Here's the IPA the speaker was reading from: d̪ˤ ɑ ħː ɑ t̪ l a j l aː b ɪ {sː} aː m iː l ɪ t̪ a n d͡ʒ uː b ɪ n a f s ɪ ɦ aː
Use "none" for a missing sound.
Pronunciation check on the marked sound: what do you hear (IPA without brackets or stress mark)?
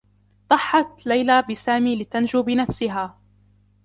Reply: s